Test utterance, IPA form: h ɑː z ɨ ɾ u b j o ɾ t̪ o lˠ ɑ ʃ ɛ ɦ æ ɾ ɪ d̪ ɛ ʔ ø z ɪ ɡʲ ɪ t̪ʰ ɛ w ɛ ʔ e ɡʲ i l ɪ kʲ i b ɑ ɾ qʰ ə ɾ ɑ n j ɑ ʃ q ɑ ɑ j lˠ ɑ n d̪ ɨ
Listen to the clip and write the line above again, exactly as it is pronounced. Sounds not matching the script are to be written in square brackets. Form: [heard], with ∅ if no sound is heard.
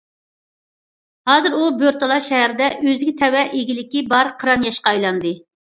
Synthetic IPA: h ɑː z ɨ ɾ u b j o ɾ t̪ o lˠ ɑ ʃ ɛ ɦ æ ɾ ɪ d̪ ɛ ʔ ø z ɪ ɡʲ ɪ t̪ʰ ɛ w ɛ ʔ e ɡʲ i l ɪ kʲ i b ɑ ɾ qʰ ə ɾ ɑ n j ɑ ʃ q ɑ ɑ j lˠ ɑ n d̪ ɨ